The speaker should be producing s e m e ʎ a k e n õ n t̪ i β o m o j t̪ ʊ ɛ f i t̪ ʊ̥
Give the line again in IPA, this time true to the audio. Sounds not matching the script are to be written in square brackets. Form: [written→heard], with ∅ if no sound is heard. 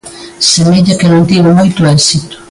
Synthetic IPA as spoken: s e m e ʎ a k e n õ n t̪ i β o m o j t̪ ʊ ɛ [f→s] i t̪ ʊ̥